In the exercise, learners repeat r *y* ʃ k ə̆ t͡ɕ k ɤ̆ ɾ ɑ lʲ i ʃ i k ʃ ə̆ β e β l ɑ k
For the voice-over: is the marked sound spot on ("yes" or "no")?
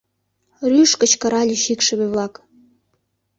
yes